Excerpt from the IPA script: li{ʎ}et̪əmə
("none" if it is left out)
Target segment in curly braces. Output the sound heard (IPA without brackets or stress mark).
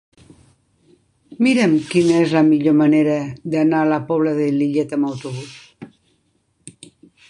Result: ʎ